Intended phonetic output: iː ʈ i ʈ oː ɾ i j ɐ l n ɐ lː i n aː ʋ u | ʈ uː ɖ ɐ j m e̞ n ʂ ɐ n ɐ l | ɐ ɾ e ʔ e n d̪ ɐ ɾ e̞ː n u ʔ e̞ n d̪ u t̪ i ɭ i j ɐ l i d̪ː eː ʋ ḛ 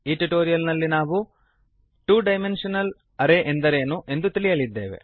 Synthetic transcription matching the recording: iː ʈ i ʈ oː ɾ i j ɐ l n ɐ lː i n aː ʋ u | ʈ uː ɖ ɐ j m e̞ n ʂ ɐ n ɐ l | ɐ ɾ e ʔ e n d̪ ɐ ɾ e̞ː n u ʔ e̞ n d̪ u t̪ i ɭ i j ɐ l i d̪ː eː ʋ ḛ